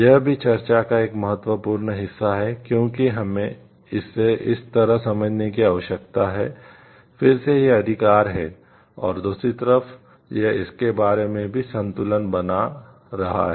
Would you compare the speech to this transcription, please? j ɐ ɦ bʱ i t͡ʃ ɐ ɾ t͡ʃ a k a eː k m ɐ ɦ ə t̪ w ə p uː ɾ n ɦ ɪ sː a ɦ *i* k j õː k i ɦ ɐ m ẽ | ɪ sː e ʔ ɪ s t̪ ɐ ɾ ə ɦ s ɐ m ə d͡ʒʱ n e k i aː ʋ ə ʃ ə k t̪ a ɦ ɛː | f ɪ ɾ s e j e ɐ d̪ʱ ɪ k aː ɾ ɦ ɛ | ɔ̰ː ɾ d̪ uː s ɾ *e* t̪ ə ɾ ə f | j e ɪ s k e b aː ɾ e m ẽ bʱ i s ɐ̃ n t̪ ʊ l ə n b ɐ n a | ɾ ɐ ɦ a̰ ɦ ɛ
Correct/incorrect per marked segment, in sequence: incorrect: ɛ, incorrect: i

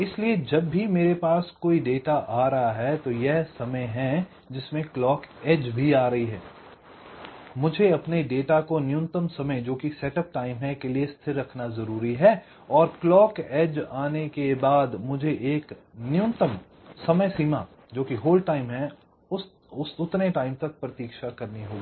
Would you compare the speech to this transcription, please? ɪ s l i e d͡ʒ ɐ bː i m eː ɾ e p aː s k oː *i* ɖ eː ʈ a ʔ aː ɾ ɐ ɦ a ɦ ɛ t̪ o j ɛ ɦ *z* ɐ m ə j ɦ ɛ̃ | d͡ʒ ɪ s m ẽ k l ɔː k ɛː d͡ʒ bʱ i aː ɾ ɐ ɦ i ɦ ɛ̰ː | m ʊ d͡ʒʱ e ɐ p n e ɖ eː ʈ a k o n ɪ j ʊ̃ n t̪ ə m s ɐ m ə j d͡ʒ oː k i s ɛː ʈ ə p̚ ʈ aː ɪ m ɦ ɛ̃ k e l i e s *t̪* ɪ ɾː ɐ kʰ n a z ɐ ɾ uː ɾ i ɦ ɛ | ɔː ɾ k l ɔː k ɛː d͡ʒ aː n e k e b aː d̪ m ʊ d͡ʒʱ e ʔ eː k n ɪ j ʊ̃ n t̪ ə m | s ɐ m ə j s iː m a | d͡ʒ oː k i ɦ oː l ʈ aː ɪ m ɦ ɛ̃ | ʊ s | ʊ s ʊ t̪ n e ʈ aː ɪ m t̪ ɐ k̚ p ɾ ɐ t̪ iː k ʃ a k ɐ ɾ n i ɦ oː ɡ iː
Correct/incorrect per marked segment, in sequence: correct, incorrect: s, incorrect: t̪ʰ

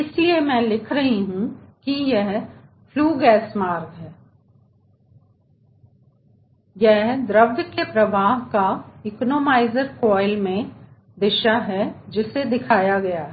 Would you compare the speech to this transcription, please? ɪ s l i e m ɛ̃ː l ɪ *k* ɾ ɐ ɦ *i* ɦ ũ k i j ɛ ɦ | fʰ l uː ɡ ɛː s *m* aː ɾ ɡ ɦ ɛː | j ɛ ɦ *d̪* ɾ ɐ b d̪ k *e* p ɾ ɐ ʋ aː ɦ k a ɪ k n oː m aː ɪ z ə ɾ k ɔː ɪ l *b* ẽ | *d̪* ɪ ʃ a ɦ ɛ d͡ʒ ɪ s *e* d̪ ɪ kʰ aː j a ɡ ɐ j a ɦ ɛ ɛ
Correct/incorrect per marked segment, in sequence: incorrect: kʰ, correct, correct, correct, correct, incorrect: m, correct, correct

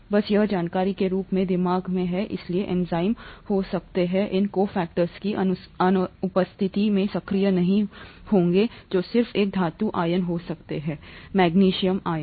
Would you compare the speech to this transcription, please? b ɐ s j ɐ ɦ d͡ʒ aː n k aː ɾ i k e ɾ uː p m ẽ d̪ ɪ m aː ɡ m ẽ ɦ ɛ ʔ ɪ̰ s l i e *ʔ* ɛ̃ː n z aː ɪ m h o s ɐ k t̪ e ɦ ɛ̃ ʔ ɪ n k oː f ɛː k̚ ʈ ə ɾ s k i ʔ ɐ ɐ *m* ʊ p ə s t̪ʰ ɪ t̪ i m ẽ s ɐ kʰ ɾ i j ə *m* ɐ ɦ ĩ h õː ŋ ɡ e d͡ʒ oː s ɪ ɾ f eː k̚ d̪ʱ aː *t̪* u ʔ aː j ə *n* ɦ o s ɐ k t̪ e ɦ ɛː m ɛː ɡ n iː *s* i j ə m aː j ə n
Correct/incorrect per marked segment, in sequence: correct, incorrect: n, incorrect: n, correct, correct, incorrect: ʃ

